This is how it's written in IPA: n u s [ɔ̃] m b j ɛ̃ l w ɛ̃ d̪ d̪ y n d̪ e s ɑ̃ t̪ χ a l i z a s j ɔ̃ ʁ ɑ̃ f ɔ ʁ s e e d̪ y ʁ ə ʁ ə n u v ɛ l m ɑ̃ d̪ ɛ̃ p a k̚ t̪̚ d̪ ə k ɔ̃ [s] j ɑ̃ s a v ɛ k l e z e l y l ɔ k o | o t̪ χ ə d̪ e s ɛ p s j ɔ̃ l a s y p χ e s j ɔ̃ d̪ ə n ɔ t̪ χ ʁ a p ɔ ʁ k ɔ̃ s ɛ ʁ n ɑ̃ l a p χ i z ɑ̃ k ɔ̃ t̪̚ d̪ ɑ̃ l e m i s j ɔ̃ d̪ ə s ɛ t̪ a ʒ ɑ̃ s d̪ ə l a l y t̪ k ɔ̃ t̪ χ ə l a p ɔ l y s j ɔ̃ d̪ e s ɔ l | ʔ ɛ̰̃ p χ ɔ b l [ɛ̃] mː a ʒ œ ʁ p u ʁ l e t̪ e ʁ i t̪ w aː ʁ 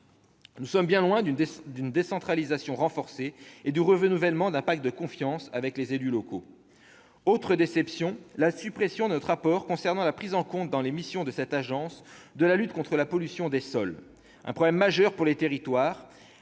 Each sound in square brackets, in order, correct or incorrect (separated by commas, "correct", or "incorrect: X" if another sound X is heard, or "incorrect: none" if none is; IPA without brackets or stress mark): incorrect: ɔ, incorrect: f, incorrect: ɛ